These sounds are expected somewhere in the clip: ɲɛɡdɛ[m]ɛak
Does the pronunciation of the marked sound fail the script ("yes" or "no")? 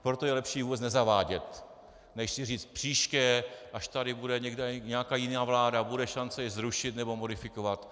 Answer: yes